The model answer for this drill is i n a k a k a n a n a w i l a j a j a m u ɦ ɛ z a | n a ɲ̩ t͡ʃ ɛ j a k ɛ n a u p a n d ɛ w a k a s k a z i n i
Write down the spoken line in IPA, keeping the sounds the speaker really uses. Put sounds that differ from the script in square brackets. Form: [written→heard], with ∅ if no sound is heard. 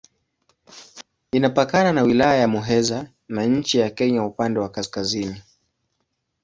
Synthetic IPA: i n a [k→p] a k a n a n a w i l a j a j a m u ɦ ɛ z a | n a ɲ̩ t͡ʃ [ɛ→i] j a k ɛ [n→ɲ] a u p a n d ɛ w a k a s k a z i n i